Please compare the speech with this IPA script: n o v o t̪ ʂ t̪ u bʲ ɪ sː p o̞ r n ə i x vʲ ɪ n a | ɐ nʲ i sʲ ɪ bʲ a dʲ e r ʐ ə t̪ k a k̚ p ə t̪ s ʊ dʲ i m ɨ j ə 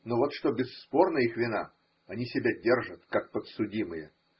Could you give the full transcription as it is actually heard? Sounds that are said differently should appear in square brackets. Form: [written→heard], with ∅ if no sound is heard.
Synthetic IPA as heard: n o v o t̪ ʂ t̪ [u→o] bʲ ɪ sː p o̞ r n ə i x vʲ ɪ n a | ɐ nʲ i sʲ ɪ bʲ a dʲ e r ʐ ə t̪ k a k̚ p ə t̪ s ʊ dʲ i m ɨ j ə